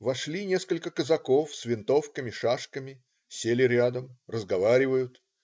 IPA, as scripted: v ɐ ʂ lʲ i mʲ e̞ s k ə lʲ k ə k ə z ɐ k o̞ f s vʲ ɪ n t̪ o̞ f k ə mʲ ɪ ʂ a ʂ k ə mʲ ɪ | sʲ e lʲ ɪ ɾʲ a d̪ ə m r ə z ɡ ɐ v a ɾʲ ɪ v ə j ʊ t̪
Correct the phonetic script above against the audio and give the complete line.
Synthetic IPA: v ɐ ʂ lʲ i nʲ e̞ s k ə lʲ k ə k ə z ɐ k o̞ f s vʲ ɪ n t̪ o̞ f k ə mʲ ɪ ʂ a ʂ k ə mʲ ɪ | sʲ e lʲ ɪ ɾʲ a d̪ ə m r ə z ɡ ɐ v a ɾʲ ɪ v ə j ʊ t̪